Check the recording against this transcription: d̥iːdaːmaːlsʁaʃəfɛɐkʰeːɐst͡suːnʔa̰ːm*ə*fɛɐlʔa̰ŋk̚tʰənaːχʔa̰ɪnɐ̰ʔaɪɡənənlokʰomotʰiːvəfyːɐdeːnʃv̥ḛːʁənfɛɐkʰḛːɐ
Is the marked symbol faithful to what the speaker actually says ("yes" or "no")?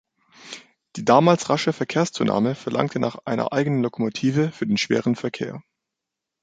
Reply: yes